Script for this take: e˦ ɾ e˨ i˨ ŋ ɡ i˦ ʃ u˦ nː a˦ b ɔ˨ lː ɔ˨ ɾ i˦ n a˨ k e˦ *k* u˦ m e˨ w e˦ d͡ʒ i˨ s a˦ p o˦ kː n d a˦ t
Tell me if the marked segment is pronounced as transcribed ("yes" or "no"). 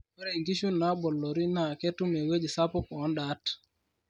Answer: no